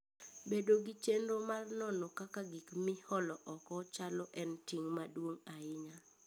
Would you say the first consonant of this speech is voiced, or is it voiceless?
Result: voiced